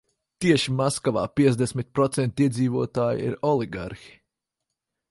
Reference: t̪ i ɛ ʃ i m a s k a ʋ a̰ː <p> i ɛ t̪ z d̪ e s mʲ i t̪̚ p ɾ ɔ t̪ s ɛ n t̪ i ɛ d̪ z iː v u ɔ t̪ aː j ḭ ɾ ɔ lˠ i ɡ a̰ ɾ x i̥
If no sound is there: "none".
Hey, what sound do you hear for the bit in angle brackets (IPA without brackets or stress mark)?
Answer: p